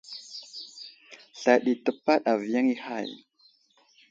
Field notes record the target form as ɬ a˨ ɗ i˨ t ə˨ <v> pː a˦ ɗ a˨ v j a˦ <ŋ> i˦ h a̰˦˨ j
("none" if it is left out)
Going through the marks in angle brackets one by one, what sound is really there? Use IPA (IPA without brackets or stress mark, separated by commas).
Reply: none, ŋ